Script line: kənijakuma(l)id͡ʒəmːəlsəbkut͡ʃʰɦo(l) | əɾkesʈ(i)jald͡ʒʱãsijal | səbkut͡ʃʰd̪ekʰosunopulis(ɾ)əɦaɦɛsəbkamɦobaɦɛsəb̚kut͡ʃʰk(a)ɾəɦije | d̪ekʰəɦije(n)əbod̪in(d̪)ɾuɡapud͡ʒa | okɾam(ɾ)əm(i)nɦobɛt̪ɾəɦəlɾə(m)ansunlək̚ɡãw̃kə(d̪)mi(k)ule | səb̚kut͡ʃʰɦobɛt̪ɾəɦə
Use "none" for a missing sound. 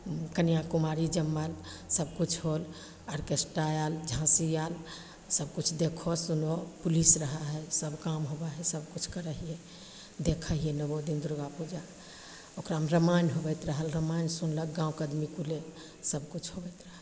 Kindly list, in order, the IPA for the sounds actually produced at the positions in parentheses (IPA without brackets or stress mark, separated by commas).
ɾ, l, a, ɾ, ə, n, d̪, ɾ, a, m, d̪, k